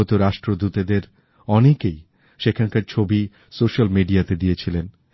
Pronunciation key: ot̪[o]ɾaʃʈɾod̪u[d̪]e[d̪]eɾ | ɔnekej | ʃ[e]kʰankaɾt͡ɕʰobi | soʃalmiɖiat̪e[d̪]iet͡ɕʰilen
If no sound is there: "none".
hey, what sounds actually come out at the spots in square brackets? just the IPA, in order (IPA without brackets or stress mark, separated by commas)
o, t̪, d̪, e, d̪